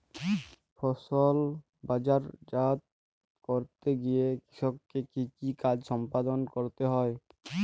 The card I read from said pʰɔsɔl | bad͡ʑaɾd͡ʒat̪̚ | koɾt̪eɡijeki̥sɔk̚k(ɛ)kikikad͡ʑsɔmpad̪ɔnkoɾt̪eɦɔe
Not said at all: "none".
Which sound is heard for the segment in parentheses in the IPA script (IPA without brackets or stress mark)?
e